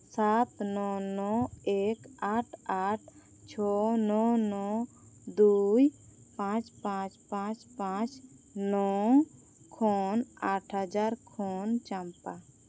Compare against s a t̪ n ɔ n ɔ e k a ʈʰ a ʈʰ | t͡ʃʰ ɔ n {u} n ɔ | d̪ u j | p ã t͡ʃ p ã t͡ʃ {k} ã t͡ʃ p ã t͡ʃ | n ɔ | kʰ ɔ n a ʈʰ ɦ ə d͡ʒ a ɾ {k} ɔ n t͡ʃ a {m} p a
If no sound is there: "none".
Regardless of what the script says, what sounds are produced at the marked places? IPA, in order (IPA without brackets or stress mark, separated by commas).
ɔ, p, kʰ, m